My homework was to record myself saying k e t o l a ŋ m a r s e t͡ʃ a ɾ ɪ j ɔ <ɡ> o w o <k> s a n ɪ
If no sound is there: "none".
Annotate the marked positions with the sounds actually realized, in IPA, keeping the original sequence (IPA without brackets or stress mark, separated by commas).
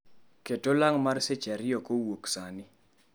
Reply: k, k